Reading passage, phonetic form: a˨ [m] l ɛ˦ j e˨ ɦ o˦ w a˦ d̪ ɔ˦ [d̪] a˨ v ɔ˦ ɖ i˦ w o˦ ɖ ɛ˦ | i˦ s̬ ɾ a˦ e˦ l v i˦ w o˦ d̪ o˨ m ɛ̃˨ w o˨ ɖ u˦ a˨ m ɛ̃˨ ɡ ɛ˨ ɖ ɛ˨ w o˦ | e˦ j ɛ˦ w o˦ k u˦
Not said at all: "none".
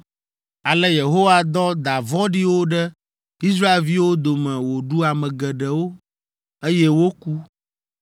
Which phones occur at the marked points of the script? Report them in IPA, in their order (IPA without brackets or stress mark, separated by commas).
none, d̪